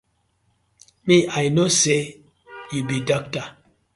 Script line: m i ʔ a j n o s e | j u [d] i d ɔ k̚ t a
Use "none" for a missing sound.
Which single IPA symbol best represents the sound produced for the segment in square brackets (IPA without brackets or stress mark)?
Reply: b